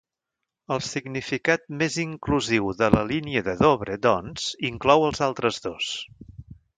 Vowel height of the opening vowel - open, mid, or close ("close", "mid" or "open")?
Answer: mid